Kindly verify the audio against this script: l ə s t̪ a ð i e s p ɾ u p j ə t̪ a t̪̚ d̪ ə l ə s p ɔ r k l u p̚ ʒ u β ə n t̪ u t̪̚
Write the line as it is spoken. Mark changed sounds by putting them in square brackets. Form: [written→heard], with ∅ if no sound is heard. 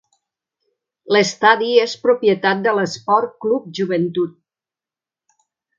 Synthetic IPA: l ə s t̪ a ð i e s p ɾ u p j ə t̪ a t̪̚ d̪ ə l ə s p ɔ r k l u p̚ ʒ u β ə n t̪ u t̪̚